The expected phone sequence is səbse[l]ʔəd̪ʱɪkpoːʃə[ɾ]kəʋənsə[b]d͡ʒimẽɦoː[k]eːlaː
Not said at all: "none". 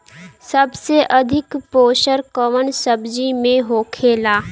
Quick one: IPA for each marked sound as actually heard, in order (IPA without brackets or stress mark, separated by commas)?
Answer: none, ɾ, b, kʰ